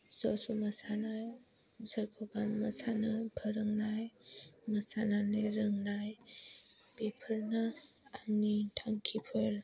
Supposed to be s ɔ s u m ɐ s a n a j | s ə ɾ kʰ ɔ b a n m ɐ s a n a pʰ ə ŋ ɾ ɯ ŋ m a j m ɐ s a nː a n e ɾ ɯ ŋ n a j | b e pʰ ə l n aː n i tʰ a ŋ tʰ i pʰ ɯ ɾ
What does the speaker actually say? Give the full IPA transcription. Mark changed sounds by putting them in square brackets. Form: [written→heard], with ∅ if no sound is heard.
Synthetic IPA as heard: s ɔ s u m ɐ s a n a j | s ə ɾ kʰ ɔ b a n m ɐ s a n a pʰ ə [ŋ→∅] ɾ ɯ ŋ [m→n] a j m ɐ s a [nː→n] a n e ɾ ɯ ŋ n a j | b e pʰ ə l n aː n i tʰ a ŋ [tʰ→kʰ] i pʰ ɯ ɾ